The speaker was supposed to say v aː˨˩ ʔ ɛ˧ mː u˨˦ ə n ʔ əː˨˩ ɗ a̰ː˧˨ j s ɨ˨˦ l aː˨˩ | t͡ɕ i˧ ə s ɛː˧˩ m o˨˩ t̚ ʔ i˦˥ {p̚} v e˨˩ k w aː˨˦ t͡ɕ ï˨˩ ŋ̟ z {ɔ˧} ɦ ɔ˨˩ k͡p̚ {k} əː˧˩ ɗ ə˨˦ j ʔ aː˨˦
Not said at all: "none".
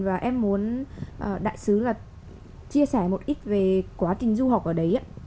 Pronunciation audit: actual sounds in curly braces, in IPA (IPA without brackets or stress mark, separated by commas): t̚, u˧, ʔ